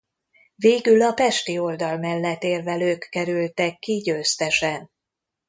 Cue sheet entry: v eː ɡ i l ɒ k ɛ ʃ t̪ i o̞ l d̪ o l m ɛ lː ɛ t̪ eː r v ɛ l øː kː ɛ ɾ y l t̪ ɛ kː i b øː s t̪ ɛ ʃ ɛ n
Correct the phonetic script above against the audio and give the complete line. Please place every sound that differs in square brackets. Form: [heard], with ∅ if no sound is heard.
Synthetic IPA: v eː ɡ [y] l ɒ [p] ɛ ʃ t̪ i o̞ l d̪ [ɒ] l m ɛ lː ɛ t̪ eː r v ɛ l øː kː ɛ ɾ y l t̪ ɛ kː i [ɟ] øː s t̪ ɛ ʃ ɛ n